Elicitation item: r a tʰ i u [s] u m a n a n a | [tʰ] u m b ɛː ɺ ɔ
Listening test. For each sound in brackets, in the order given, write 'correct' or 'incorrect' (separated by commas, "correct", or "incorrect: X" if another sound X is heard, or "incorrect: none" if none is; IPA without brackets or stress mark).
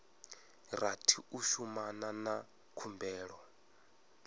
incorrect: ʃ, incorrect: kʰ